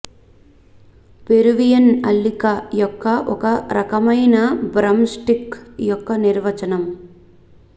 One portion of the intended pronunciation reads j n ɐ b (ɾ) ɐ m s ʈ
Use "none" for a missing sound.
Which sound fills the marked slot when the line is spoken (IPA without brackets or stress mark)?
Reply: ɾ